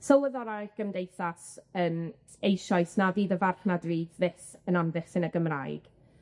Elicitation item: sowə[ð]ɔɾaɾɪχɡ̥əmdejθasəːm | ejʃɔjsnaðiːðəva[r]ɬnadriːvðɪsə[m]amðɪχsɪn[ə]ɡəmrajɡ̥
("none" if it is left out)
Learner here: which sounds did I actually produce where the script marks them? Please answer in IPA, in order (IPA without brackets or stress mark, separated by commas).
ð, r, n, ə